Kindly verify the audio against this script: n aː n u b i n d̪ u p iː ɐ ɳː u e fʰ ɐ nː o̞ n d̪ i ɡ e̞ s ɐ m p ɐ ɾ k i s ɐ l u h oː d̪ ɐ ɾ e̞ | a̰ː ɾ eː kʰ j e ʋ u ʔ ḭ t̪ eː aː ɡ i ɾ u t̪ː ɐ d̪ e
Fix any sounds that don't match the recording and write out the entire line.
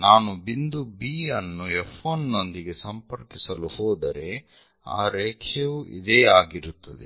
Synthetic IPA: n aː n u b i n d̪ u b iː ɐ nː u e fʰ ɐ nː o̞ n d̪ i ɡ e̞ s ɐ m p ɐ ɾ k i s ɐ l u h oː d̪ ɐ ɾ e̞ | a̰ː ɾ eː kʰ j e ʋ u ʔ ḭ d̪ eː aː ɡ i ɾ u t̪ː ɐ d̪ e